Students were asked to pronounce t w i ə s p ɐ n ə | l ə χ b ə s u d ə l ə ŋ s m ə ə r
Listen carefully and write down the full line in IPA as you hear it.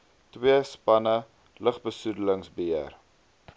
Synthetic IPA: t w i ə s p ɐ n ə | l ə χ b ə s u d ə l ə ŋ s b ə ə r